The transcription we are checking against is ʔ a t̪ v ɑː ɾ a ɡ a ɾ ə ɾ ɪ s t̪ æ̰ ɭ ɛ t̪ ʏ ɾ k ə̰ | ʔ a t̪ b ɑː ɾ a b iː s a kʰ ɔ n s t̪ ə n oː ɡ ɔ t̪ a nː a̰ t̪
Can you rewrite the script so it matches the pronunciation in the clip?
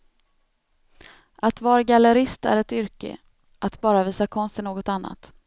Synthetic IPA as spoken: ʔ a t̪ v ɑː ɾ a ɡ a l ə ɾ ɪ s t̪ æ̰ ɾ ɛ t̪ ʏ ɾ k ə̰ | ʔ a t̪ b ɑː ɾ a v iː s a kʰ ɔ n s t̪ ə n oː ɡ ɔ t̪ a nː a̰ t̪